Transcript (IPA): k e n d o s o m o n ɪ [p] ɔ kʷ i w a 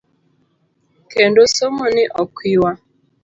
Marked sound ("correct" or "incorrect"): incorrect